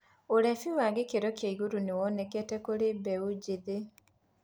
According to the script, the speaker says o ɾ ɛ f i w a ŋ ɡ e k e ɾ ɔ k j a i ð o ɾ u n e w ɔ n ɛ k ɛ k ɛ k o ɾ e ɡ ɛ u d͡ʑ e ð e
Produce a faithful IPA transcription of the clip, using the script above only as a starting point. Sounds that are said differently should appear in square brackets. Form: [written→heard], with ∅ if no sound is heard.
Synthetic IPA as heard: o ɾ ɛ f i w a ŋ ɡ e k e ɾ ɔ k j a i [ð→ɣ] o ɾ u n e w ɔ n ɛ k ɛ [k→t] ɛ k o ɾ e [ɡ→b] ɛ u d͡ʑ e ð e

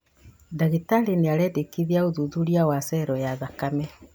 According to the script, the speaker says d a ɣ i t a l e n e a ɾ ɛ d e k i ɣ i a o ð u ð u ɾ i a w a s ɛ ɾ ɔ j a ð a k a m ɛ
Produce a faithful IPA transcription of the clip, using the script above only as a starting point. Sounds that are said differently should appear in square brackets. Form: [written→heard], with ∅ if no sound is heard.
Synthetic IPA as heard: d a ɣ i t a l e n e a ɾ ɛ d e k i [ɣ→ð] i a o ð u ð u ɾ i a w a s ɛ ɾ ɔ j a ð a k a m ɛ

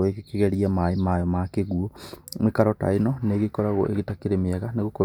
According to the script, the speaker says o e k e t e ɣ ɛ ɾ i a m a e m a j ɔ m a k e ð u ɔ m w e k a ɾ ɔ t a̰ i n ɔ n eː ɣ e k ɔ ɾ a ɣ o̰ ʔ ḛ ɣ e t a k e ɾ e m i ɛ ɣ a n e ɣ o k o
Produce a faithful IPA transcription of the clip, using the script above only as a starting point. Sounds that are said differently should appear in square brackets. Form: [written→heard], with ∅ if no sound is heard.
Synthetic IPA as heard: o e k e [t→k] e ɣ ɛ ɾ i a m a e m a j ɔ m a k e [ð→ɣ] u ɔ m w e k a ɾ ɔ t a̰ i n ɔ n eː ɣ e k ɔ ɾ a ɣ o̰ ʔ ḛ ɣ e t a k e ɾ e m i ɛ ɣ a n e ɣ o k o

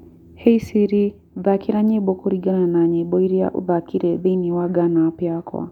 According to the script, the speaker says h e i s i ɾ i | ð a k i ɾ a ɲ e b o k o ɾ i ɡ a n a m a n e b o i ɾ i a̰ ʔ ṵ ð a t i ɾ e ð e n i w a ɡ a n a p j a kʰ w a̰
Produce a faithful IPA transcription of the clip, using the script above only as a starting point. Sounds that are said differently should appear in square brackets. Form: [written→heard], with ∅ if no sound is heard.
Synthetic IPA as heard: h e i s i ɾ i | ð a k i ɾ a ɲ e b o k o ɾ i ɡ a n a [m→n] a [n→ɲ] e b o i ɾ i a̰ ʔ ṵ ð a [t→k] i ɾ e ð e n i w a ɡ a n a p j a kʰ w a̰

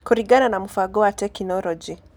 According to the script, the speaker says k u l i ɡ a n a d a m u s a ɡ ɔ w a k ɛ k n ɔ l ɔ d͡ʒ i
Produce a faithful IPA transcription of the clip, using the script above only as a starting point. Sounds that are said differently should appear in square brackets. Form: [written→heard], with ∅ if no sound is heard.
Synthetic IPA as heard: k u [l→ɾ] i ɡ a n a [d→n] a m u [s→f] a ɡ ɔ w a [k→t] ɛ k n ɔ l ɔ d͡ʒ i

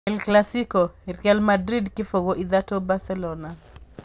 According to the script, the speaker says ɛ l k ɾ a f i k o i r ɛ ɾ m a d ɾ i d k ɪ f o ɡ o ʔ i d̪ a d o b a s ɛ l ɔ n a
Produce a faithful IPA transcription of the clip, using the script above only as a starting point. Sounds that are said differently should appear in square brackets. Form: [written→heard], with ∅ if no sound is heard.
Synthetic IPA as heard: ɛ l k [ɾ→l] a [f→s] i k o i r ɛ [ɾ→l] m a d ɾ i d k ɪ f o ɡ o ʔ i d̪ a [d→t] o b a s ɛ l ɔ n a

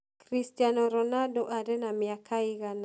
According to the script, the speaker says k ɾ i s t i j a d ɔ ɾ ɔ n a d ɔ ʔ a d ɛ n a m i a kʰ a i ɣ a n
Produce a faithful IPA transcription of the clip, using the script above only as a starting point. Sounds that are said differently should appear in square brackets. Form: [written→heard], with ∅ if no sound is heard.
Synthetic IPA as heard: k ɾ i s t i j a [d→n] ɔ ɾ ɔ n a d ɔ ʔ a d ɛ n a m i a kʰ a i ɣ a n

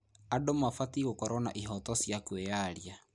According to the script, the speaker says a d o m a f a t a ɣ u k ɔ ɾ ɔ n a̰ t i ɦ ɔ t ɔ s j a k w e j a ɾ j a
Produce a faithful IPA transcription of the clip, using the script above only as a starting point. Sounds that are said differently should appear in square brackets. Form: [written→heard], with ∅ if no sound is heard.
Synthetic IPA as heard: a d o m a f a t [a→i] ɣ [u→o] k ɔ ɾ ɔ n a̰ [t→ʔ] i ɦ ɔ t ɔ s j a k w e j a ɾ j a

